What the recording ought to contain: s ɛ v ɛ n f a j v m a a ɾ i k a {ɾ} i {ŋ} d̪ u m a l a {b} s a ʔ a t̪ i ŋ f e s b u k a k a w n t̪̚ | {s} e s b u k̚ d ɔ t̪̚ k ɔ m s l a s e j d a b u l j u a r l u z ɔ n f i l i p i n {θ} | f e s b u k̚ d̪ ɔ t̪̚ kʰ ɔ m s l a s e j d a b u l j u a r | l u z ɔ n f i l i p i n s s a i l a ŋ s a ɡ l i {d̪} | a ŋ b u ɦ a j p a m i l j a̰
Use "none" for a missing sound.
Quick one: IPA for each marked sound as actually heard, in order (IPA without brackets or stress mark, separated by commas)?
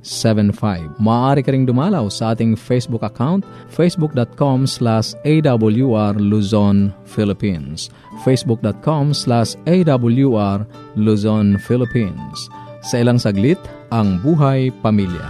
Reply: ɾ, ŋ, w, f, s, t̪